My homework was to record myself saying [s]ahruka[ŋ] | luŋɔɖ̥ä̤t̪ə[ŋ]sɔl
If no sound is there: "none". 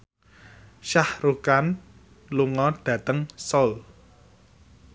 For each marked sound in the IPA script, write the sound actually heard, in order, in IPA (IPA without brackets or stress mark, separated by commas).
ʃ, n, ŋ